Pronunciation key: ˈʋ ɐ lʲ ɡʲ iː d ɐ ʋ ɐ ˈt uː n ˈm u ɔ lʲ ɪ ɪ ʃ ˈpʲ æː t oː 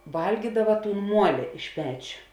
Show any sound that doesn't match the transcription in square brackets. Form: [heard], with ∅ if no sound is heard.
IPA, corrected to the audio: ˈʋ ɐ lʲ ɡʲ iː d ɐ ʋ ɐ ˈt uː n ˈm u ɔ lʲ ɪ ɪ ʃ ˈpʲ æː [t͡ʃʲ] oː